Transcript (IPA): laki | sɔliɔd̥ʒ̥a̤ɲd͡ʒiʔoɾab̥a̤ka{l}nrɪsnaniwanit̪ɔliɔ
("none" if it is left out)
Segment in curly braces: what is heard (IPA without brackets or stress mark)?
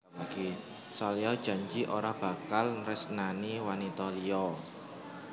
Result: l